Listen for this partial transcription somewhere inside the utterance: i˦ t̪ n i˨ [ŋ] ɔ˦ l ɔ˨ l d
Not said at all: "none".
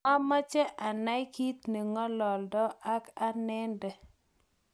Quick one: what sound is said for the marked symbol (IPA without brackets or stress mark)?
ŋ